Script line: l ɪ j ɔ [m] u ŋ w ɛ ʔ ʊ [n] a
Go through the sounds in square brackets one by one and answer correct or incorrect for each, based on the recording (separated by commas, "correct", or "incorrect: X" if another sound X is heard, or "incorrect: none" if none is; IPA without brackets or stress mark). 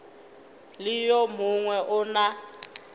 correct, correct